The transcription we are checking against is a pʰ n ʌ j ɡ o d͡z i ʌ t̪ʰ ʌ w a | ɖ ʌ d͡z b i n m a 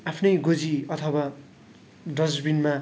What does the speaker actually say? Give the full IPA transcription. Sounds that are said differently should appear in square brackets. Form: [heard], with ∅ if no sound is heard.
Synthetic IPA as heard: a pʰ n ʌ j ɡ o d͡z i ʌ t̪ʰ ʌ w a | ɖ ʌ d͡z b i n m a